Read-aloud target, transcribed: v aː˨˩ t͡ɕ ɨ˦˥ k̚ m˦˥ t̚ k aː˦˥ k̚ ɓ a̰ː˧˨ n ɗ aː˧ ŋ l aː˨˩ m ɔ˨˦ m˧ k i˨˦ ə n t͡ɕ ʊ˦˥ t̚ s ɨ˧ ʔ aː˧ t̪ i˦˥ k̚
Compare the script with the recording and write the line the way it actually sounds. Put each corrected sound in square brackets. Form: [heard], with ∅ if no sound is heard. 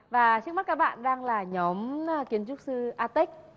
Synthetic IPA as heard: v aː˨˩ t͡ɕ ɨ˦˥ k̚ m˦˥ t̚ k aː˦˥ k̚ ɓ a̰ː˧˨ n ɗ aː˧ ŋ l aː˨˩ [ɲ] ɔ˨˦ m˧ k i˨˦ ə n t͡ɕ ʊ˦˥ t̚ s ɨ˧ ʔ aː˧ t̪ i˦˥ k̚